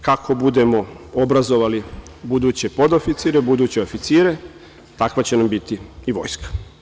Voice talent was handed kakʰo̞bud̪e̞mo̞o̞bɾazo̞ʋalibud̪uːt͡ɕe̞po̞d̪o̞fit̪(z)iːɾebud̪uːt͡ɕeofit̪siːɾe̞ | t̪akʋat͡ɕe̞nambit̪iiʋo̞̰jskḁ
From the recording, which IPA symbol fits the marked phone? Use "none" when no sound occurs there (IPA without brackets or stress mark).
s